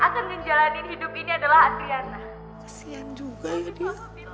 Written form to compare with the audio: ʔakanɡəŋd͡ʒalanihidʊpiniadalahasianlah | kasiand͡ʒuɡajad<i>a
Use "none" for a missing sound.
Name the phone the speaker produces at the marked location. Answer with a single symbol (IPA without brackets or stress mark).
i